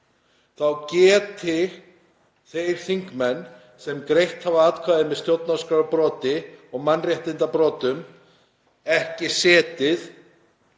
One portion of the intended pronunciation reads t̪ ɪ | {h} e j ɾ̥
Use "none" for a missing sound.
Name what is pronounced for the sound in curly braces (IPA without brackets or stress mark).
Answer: θ